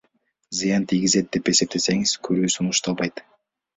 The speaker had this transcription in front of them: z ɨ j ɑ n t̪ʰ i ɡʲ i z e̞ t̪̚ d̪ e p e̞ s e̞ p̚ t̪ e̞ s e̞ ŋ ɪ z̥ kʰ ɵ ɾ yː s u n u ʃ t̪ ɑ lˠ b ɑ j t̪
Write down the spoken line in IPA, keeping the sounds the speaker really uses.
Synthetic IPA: z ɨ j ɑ n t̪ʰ i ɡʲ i z e̞ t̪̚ d̪ e p e̞ s e̞ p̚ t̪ e̞ s e̞ ŋ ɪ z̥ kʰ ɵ ɾ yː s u n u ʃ t̪ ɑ lˠ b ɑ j t̪